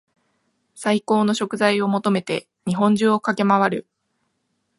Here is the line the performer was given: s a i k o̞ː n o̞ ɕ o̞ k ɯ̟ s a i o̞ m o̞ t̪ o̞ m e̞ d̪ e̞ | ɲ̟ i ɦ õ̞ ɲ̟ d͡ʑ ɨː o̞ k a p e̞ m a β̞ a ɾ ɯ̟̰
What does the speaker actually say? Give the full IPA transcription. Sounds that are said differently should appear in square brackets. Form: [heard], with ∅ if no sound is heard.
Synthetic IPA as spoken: s a i k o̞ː n o̞ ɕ o̞ k ɯ̟ [z] a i o̞ m o̞ t̪ o̞ m e̞ [t̪] e̞ | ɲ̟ i ɦ õ̞ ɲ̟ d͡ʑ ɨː o̞ k a [k] e̞ m a β̞ a ɾ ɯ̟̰